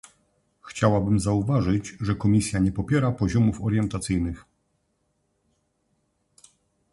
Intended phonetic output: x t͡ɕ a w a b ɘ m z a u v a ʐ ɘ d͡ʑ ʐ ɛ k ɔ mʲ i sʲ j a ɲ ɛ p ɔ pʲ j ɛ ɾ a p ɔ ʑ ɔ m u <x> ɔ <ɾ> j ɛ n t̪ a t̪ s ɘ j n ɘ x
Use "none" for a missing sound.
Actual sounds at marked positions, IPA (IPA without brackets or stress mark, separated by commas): f, ɾ